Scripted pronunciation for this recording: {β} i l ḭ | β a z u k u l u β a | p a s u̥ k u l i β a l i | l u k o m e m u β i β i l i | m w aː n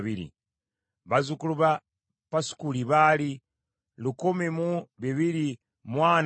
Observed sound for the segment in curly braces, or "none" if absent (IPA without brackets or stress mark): β